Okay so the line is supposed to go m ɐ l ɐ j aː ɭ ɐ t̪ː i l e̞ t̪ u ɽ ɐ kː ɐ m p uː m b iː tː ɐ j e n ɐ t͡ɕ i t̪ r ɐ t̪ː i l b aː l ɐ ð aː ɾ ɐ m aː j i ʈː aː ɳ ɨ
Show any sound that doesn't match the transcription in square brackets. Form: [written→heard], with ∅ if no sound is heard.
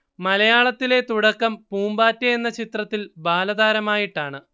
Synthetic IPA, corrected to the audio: m ɐ l ɐ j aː ɭ ɐ t̪ː i l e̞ t̪ u ɽ ɐ kː ɐ m p uː m b [iː→aː] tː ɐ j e [n→nː] ɐ t͡ɕ i t̪ r ɐ t̪ː i l b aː l ɐ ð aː ɾ ɐ m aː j i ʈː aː ɳ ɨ

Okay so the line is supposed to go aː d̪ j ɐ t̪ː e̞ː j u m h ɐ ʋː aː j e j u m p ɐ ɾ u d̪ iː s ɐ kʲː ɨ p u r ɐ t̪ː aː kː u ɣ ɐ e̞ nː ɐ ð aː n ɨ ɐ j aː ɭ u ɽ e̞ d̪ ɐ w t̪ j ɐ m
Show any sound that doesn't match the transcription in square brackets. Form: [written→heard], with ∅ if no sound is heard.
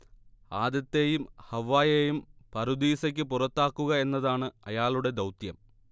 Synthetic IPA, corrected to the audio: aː d̪ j ɐ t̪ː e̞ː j u m h ɐ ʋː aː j e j u m p ɐ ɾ u d̪ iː s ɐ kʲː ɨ p u r ɐ t̪ː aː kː u ɣ ɐ e̞ nː ɐ ð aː [n→ɳ] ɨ ɐ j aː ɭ u ɽ e̞ d̪ ɐ w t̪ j ɐ m

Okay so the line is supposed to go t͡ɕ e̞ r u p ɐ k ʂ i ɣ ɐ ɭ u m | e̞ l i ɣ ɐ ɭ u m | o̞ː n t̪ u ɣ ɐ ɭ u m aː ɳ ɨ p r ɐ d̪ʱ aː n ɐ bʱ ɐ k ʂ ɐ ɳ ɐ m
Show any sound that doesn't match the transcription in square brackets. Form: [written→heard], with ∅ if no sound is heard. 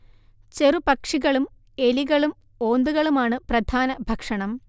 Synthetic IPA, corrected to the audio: t͡ɕ e̞ r u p ɐ k ʂ i ɣ ɐ ɭ u m | e̞ l i ɣ ɐ ɭ u m | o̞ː n [t̪→d̪] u ɣ ɐ ɭ u m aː ɳ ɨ p r ɐ d̪ʱ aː n ɐ bʱ ɐ k ʂ ɐ ɳ ɐ m

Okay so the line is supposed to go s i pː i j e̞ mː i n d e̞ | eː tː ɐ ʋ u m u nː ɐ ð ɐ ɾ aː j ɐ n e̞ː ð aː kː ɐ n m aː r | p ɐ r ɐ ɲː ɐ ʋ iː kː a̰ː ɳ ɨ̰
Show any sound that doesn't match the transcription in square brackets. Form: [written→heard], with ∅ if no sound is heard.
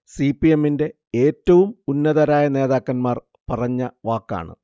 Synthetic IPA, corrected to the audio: s i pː i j e̞ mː i n d e̞ | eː tː ɐ ʋ u m u nː ɐ ð ɐ ɾ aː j ɐ n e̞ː ð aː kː ɐ n m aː r | p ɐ r ɐ ɲː ɐ ʋ [iː→aː] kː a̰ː ɳ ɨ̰

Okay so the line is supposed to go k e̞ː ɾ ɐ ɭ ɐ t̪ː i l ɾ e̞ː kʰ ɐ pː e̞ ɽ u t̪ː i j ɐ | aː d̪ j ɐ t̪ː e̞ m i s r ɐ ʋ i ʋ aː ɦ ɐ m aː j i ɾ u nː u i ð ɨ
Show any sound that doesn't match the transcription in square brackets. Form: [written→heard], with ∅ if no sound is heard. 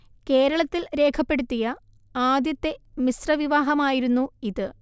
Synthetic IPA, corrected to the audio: k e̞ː ɾ ɐ ɭ ɐ t̪ː i l ɾ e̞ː kʰ ɐ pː e̞ ɽ u t̪ː i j ɐ | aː d̪ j ɐ t̪ː e̞ m i s r ɐ ʋ i ʋ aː ɦ ɐ m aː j i ɾ u nː u i ð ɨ

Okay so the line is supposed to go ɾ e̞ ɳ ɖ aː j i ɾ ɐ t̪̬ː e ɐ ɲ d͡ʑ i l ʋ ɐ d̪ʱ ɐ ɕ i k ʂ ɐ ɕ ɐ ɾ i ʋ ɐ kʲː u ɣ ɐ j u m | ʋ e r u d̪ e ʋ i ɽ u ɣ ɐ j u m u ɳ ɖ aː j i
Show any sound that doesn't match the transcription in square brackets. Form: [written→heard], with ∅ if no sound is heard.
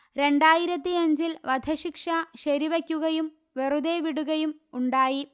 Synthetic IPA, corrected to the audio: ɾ e̞ ɳ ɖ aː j i ɾ ɐ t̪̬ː [e→i] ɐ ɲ d͡ʑ i l ʋ ɐ d̪ʱ ɐ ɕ i k ʂ ɐ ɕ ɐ ɾ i ʋ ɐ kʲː u ɣ ɐ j u m | ʋ e r u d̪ e ʋ i ɽ u ɣ ɐ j u m u ɳ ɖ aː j i

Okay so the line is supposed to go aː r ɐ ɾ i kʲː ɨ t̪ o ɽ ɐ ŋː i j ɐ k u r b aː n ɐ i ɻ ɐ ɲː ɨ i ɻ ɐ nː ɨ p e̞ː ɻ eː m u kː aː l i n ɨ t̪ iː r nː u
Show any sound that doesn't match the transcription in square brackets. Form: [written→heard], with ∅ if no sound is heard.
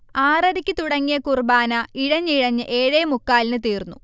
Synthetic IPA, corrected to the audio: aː r ɐ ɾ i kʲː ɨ t̪ [o→u] ɽ ɐ ŋː i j ɐ k u r b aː n ɐ i ɻ ɐ ɲː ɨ i ɻ ɐ [nː→ɲː] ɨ [p→ʔ] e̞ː ɻ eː m u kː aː l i n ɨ t̪ iː r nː u

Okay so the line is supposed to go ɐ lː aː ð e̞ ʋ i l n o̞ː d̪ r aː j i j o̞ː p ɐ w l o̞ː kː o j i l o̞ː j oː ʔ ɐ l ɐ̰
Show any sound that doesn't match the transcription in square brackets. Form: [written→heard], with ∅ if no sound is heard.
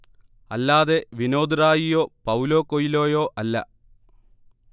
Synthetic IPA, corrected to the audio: ɐ lː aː ð e̞ ʋ i [l→∅] n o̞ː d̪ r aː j i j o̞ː p ɐ w l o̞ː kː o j i l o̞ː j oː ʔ ɐ [l→lː] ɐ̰

